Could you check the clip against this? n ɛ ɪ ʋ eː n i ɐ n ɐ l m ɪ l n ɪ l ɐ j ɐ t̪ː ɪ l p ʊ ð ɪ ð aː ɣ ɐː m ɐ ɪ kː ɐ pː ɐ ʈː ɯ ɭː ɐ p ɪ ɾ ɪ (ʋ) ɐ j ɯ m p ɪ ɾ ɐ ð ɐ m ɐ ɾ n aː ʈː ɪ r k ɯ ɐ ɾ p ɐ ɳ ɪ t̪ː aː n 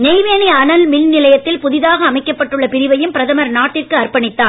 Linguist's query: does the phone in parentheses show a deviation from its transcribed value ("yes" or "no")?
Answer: no